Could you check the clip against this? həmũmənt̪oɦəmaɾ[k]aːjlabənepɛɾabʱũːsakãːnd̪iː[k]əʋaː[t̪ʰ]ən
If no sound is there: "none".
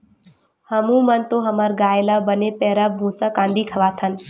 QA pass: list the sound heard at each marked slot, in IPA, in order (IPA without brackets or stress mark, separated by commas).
ɡ, kʰ, t̪ʰ